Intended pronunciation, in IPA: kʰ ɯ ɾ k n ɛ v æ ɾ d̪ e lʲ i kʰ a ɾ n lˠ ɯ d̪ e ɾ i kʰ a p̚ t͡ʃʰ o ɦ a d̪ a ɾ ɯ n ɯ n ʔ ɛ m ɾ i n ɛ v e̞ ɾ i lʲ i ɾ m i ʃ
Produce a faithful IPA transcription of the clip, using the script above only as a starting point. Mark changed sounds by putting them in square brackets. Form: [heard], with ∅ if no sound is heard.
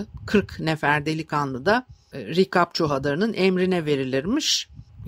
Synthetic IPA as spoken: kʰ ɯ ɾ k n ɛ [f] æ ɾ d̪ e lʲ i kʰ a [∅] n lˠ ɯ d̪ [a] ɾ i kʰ a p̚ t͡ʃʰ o ɦ a d̪ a ɾ ɯ n ɯ n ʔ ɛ m ɾ i n ɛ v e̞ ɾ i lʲ i ɾ m i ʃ